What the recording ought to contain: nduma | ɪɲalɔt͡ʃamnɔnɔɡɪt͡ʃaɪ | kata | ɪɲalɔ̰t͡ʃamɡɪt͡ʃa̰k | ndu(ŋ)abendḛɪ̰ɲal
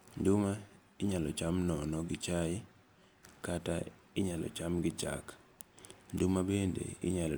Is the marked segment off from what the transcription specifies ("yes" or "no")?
yes